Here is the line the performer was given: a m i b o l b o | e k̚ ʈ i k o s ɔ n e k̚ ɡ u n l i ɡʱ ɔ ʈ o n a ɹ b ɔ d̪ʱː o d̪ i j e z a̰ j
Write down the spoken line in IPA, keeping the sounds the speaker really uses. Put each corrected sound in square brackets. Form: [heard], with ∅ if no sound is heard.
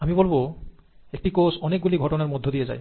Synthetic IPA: a m i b o l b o | e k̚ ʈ i k o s ɔ n e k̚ ɡ u [∅] l i ɡʱ ɔ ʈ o n a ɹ [m] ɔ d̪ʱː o d̪ i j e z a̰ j